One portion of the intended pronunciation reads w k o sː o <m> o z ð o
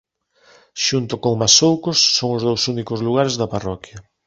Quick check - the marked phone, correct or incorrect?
incorrect: ŋ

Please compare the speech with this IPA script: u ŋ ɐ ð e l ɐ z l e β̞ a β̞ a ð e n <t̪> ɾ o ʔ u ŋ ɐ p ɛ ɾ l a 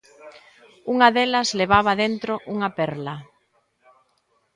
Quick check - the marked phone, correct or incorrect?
correct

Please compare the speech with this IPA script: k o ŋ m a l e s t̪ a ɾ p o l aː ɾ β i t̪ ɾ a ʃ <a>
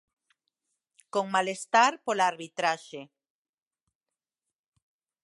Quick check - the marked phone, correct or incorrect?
incorrect: e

